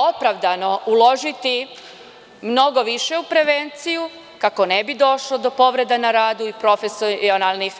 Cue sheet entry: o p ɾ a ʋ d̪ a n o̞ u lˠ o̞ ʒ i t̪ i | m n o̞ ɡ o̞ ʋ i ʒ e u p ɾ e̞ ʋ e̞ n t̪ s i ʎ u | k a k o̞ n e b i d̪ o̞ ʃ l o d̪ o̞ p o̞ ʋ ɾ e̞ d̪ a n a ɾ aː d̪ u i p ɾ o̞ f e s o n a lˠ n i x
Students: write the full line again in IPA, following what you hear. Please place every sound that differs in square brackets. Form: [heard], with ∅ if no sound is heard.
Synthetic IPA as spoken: o p ɾ a ʋ d̪ a n o̞ u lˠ o̞ ʒ i t̪ i | m n o̞ ɡ o̞ ʋ i [ʃ] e u p ɾ e̞ ʋ e̞ n t̪ s i [j] u | k a k o̞ n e b i d̪ o̞ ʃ l o d̪ o̞ p o̞ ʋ ɾ e̞ d̪ a n a ɾ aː d̪ u i p ɾ o̞ f e s o n a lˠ n i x